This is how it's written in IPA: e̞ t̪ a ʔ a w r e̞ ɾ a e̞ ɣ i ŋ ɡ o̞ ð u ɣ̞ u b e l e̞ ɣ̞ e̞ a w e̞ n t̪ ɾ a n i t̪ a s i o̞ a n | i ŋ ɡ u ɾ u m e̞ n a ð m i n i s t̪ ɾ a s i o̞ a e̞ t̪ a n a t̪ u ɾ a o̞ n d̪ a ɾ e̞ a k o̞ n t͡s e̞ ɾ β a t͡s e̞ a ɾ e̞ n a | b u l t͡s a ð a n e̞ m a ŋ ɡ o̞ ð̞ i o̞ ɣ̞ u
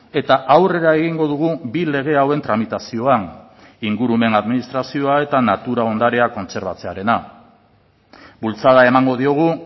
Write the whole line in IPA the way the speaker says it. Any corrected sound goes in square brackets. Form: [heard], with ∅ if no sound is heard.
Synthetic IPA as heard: e̞ t̪ a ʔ a w r e̞ ɾ a e̞ ɣ i ŋ ɡ o̞ ð u ɣ̞ u b [i] l e̞ ɣ̞ e̞ a w e̞ n t̪ ɾ a [m] i t̪ a s i o̞ a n | i ŋ ɡ u ɾ u m e̞ n a ð m i n i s t̪ ɾ a s i o̞ a e̞ t̪ a n a t̪ u ɾ a o̞ n d̪ a ɾ e̞ a k o̞ n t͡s e̞ ɾ β a t͡s e̞ a ɾ e̞ n a | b u l t͡s a ð a [∅] e̞ m a ŋ ɡ o̞ ð̞ i o̞ ɣ̞ u